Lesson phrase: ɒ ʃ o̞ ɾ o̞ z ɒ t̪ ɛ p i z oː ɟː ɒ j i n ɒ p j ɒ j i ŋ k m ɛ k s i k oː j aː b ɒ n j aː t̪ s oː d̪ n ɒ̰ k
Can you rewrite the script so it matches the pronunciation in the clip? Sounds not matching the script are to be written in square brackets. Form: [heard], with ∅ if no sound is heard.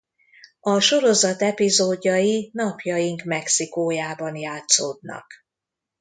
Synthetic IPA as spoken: ɒ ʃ o̞ ɾ o̞ z ɒ t̪ ɛ p i z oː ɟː ɒ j i n ɒ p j ɒ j i ŋ k m ɛ k s i k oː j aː b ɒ n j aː t̪ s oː d̪ n ɒ̰ k